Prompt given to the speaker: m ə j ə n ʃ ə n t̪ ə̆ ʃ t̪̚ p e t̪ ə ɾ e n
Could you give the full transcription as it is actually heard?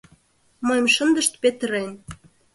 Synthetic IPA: m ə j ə m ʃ ə n d̪ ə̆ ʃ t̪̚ p e t̪ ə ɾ e n